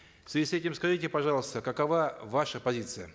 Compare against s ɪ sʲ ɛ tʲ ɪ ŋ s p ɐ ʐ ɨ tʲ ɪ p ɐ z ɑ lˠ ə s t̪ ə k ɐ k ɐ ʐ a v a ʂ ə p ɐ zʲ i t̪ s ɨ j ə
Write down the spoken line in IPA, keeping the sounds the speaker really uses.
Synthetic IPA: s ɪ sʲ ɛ tʲ ɪ m s k ɐ ʐ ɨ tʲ ɪ p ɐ ʐ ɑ lˠ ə s t̪ ə k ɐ k ɐ v a v a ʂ ə p ɐ zʲ i t̪ s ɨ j ə